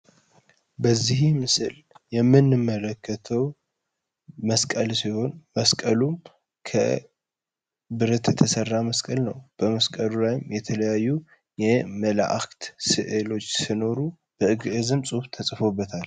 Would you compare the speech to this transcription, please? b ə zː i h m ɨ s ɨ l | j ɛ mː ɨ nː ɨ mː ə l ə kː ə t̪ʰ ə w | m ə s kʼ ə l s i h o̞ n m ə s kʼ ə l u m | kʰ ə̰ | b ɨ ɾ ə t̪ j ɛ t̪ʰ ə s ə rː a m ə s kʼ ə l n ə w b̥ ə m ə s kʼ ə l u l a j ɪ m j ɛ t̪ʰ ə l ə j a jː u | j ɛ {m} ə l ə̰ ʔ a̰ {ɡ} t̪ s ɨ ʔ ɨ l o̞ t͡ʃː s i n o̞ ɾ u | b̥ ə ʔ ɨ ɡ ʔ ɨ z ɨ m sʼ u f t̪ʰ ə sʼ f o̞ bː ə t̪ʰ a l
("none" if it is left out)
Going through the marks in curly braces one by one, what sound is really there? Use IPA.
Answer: m, k

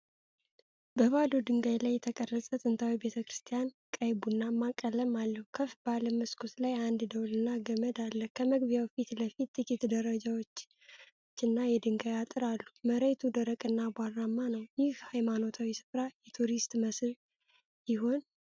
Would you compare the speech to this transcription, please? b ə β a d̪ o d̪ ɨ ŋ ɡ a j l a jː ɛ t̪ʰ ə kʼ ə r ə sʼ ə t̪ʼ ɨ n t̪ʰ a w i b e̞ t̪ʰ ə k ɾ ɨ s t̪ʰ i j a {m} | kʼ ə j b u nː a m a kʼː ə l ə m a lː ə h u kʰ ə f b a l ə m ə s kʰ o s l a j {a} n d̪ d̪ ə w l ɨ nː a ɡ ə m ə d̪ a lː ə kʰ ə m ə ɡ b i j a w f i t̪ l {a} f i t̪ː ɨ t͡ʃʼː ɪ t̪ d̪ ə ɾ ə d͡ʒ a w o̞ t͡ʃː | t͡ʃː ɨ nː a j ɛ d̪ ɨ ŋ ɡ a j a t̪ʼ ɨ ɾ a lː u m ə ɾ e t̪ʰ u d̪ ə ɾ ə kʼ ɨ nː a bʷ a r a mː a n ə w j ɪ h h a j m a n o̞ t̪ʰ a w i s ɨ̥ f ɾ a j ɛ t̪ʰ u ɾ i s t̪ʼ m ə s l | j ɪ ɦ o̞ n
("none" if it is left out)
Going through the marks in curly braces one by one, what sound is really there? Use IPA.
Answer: n, a, ə

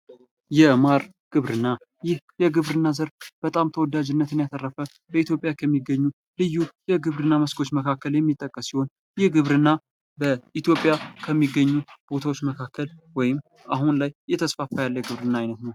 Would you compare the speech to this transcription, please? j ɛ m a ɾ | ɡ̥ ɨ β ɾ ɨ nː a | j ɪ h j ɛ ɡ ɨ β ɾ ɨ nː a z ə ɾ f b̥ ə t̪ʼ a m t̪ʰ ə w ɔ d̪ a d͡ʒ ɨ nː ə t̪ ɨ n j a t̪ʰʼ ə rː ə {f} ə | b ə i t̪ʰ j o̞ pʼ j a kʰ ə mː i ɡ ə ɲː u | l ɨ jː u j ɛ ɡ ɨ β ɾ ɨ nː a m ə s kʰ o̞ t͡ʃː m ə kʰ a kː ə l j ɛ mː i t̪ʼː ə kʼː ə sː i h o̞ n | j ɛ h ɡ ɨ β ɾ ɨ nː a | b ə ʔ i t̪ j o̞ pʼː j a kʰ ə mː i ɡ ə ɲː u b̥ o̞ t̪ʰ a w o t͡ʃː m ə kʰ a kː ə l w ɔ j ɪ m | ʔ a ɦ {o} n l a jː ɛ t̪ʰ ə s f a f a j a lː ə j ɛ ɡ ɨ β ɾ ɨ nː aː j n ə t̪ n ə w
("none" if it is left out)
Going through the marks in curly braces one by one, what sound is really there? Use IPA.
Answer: f, u

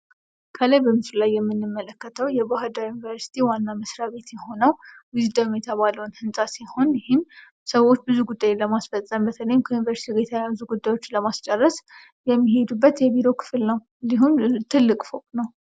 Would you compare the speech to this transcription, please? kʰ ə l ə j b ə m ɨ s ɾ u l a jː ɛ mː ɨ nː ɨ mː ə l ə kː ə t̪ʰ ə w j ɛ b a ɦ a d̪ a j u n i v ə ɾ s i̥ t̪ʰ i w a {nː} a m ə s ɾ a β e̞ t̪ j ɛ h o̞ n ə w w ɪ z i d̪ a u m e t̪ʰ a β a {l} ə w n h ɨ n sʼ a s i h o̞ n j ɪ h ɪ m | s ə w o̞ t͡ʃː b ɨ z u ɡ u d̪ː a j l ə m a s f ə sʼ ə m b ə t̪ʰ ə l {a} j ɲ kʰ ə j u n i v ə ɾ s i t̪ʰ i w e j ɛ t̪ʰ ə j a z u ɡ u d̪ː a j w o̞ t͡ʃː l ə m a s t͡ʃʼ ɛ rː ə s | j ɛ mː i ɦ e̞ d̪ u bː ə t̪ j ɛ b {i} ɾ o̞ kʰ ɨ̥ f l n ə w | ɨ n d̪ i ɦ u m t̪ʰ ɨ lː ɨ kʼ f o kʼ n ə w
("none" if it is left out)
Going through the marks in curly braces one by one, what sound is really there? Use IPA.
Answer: nː, l, ə, i

